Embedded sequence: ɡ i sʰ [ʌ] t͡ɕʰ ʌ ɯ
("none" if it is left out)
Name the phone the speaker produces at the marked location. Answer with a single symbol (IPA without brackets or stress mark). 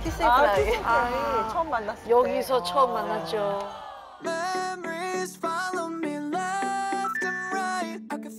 ʌ